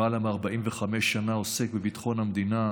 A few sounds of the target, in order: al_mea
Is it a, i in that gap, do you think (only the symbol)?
a